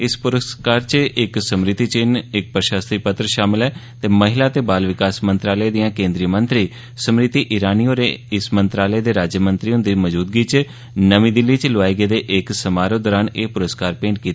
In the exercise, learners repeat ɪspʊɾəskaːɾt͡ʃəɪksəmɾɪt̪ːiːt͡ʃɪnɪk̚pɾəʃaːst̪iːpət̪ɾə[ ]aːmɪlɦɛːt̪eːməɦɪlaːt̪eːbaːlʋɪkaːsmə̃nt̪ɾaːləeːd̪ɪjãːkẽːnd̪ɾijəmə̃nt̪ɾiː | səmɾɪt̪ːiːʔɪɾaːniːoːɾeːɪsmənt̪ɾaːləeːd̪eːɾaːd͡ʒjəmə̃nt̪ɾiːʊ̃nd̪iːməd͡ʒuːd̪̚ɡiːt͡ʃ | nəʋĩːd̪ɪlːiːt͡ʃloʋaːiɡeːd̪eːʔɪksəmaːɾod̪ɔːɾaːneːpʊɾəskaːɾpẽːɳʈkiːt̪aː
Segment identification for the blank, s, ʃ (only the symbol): ʃ